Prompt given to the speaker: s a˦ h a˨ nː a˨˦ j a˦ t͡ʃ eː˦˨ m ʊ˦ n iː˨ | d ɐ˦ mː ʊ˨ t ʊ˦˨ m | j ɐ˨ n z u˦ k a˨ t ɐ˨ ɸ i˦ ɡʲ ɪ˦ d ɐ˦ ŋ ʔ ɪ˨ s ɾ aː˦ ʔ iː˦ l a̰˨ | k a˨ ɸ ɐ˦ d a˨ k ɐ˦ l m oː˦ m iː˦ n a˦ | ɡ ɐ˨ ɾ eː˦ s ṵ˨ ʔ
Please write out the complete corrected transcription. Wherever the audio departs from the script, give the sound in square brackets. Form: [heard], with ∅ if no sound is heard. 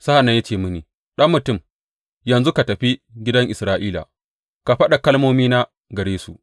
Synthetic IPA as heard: s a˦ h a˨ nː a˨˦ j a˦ t͡ʃ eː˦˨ m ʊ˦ n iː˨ | [ɗ] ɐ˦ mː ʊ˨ t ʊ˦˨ m | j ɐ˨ n z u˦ k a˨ t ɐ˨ ɸ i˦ ɡʲ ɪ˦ d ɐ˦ ŋ ʔ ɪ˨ s ɾ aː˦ ʔ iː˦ l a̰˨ | k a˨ ɸ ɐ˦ [ɗ] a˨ k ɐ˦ l m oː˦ m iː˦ n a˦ | ɡ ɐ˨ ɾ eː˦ s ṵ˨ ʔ